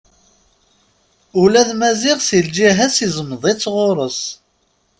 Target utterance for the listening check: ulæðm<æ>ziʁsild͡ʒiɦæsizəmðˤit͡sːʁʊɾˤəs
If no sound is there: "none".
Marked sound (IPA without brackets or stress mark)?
æ